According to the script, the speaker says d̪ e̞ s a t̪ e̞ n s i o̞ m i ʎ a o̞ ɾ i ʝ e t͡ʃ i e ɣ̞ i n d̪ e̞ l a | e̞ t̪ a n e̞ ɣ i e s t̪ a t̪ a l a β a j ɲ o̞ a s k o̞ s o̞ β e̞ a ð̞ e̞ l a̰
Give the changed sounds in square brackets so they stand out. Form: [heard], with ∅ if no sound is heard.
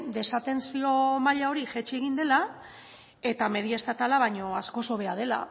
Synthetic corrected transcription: d̪ e̞ s a t̪ e̞ n s i o̞ m [a] ʎ a o̞ ɾ i ʝ e t͡ʃ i e ɣ̞ i n d̪ e̞ l a | e̞ t̪ a [m] e̞ [ð] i e s t̪ a t̪ a l a β a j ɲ o̞ a s k o̞ s o̞ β e̞ a ð̞ e̞ l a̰